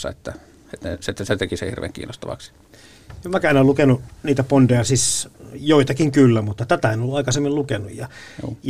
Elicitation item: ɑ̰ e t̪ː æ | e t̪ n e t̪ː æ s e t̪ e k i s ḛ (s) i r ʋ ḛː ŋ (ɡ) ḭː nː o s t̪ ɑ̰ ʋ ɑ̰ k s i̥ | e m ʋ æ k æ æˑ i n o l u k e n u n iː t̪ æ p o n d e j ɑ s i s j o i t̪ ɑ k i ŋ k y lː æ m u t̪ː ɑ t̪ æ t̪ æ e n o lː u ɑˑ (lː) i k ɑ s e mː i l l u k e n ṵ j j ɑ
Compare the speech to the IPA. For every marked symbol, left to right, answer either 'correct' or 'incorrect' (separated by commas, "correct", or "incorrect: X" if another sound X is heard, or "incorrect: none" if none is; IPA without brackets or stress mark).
incorrect: h, incorrect: k, incorrect: none